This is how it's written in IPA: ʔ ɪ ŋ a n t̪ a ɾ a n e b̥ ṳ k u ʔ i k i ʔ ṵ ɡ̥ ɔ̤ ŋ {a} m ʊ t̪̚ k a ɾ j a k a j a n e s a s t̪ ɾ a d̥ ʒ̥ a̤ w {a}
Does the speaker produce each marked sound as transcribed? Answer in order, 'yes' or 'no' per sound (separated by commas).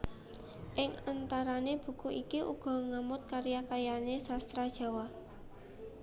yes, yes